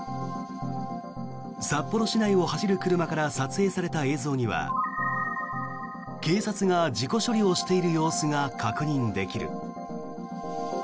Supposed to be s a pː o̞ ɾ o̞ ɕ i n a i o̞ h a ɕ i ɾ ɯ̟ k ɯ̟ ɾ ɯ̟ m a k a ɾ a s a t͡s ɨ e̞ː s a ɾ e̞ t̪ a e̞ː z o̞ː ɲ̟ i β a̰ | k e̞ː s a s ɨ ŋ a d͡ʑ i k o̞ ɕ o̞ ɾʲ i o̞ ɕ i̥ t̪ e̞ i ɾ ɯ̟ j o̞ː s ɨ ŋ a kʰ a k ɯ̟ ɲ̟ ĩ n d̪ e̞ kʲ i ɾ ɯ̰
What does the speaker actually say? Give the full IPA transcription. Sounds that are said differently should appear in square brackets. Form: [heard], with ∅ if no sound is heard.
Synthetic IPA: s a pː o̞ ɾ o̞ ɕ i n a i o̞ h a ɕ i ɾ ɯ̟ k ɯ̟ ɾ ɯ̟ m a k a ɾ a s a t͡s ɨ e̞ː s a ɾ e̞ t̪ a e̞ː z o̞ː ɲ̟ i β a̰ | k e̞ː s a [t͡s] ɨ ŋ a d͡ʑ i k o̞ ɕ o̞ ɾʲ i o̞ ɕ i̥ t̪ e̞ i ɾ ɯ̟ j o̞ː s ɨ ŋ a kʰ a k ɯ̟ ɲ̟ ĩ n d̪ e̞ kʲ i ɾ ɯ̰